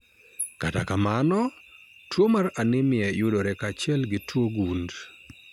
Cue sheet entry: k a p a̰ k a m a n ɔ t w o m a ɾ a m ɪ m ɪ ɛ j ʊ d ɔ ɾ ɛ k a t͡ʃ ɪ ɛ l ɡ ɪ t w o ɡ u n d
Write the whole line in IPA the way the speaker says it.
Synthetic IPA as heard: k a t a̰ k a m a n ɔ t w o m a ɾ a n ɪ m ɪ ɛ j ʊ d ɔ ɾ ɛ k a t͡ʃ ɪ ɛ l ɡ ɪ t w o ɡ u n d